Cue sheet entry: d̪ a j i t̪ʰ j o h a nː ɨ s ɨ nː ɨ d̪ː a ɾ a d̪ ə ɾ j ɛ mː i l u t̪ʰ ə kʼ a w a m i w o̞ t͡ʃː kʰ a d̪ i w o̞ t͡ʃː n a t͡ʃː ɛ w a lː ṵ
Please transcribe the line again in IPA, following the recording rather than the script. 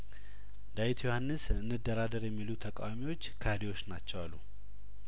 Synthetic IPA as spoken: d̪ a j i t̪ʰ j o h a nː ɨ s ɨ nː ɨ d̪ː ə ɾ a d̪ ə ɾ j ɛ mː i l u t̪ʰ ə kʼ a w a m i w o̞ t͡ʃː kʰ a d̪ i w o̞ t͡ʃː n a t͡ʃː ɛ w a lː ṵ

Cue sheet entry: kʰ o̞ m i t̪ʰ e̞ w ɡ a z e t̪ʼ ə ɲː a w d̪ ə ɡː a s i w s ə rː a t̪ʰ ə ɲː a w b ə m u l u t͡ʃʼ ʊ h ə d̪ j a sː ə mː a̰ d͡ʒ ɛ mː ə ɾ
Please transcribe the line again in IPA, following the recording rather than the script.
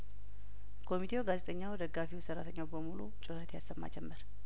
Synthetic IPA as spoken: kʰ o̞ m i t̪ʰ e̞ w ɡ a z e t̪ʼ ə ɲː a w d̪ ə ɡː a f i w s ə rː a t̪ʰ ə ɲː a w b ə m u l u t͡ʃʼ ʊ h ə t̪ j a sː ə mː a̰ d͡ʒ ɛ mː ə ɾ

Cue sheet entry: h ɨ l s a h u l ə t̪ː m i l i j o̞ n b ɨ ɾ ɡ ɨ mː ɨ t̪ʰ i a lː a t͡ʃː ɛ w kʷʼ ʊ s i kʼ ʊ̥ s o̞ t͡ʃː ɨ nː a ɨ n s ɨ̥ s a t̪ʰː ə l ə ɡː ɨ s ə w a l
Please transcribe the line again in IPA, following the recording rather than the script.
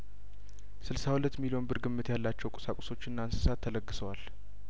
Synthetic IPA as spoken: s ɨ l s a h u l ə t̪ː m i l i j o̞ n b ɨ ɾ ɡ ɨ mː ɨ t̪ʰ j a lː a t͡ʃː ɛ w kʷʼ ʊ s a kʼ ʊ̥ s o̞ t͡ʃː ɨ nː a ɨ n s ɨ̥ s a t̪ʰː ə l ə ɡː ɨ s ə w a l

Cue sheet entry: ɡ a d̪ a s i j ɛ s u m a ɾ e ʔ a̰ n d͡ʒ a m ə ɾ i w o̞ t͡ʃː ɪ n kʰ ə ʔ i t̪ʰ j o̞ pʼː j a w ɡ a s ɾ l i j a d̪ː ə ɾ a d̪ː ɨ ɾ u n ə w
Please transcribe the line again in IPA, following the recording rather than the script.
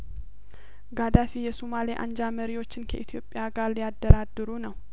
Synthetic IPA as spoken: ɡ a d̪ a f i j ɛ s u m a l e ʔ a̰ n d͡ʒ a m ə ɾ i w o̞ t͡ʃː ɪ n kʰ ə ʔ i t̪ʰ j o̞ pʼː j a ɡ a ɾ l i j a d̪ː ə ɾ a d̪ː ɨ ɾ u n ə w

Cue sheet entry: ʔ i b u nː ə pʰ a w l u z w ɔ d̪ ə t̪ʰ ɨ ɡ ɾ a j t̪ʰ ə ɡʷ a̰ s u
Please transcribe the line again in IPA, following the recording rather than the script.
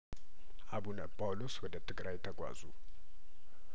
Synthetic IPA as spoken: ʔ a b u n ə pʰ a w l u s w ɔ d̪ ə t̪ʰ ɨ ɡ ɾ a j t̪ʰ ə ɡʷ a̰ z u

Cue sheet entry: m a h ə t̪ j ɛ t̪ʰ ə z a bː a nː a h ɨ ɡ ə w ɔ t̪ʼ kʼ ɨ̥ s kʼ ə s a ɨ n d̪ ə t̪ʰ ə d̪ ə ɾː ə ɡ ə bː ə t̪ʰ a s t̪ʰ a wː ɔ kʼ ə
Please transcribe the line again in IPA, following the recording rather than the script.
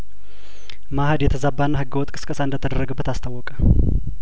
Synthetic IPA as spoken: m a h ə d̪ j ɛ t̪ʰ ə z a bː a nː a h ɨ ɡ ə w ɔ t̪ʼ kʼ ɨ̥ s kʼ ə s a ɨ n d̪ ə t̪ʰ ə d̪ ə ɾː ə ɡ ə bː ə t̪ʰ a s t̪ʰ a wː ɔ kʼ ə

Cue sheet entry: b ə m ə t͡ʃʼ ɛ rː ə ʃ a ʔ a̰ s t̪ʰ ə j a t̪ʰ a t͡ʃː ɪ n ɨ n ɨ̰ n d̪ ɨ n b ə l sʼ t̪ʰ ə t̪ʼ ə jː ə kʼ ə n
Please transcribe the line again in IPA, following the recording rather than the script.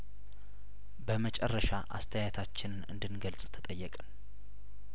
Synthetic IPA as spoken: b ə m ə t͡ʃʼ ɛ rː ə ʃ a ʔ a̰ s t̪ʰ ə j a t̪ʰ a t͡ʃː ɪ n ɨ n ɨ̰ n d̪ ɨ n ɡ ə l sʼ t̪ʰ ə t̪ʼ ə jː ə kʼ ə n

